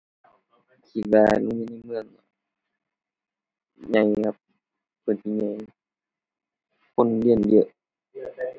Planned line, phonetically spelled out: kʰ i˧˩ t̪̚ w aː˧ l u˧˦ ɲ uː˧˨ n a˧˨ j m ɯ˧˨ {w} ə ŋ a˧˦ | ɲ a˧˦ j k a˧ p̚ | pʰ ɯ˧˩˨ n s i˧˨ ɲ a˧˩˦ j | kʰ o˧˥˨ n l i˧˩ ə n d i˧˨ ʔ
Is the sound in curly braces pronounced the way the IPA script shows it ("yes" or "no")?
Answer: no